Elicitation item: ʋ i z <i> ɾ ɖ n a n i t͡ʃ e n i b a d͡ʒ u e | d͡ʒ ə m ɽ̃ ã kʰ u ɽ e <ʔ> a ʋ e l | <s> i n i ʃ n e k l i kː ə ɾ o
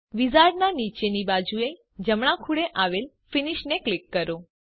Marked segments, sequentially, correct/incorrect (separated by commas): incorrect, correct, incorrect